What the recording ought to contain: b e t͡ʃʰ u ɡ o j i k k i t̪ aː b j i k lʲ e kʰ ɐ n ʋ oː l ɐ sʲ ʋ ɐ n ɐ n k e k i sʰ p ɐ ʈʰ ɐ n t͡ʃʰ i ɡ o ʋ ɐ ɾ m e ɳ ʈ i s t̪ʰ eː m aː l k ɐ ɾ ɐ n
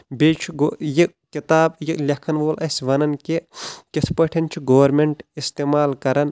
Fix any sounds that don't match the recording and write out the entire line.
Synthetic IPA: b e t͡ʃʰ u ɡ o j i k k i t̪ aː b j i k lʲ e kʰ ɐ n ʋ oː l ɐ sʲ ʋ ɐ n ɐ n k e k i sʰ p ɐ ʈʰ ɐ n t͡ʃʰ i ɡ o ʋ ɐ ɾ m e ɳ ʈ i s t̪ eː m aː l k ɐ ɾ ɐ n